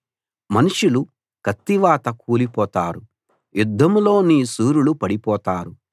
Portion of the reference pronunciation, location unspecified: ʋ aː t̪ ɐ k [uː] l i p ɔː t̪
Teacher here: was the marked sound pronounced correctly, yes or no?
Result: yes